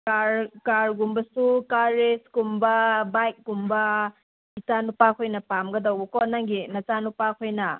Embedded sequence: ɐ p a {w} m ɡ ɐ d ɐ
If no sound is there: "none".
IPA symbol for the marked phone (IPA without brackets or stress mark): none